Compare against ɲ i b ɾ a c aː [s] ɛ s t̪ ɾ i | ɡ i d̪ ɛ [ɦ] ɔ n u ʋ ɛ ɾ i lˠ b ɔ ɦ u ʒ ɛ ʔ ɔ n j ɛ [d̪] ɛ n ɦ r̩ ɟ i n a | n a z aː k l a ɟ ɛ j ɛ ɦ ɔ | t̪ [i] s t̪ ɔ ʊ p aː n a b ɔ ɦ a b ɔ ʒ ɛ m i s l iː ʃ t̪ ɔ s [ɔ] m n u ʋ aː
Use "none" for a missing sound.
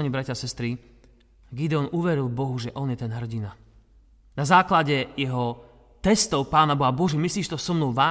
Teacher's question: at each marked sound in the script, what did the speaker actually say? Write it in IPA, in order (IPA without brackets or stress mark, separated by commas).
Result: s, none, t̪, ɛ, ɔ